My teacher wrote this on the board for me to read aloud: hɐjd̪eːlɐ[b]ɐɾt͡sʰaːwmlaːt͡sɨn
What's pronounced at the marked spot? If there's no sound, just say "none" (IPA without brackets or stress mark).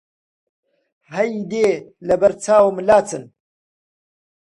b